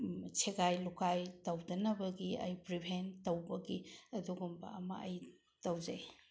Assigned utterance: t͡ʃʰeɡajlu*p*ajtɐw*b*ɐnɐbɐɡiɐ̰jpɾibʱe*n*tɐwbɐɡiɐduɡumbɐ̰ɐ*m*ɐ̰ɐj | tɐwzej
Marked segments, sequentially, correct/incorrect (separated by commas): incorrect, incorrect, correct, correct